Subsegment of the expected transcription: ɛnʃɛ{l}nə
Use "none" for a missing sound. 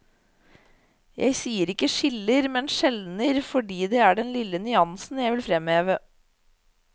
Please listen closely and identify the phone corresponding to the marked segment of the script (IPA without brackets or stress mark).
l